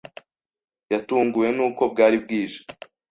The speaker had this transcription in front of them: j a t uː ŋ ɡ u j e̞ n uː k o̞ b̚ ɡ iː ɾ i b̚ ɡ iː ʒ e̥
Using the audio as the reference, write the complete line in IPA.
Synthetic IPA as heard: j a t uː ŋ ɡ u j e̞ n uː k o̞ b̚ ɡ aː ɾ i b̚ ɡ iː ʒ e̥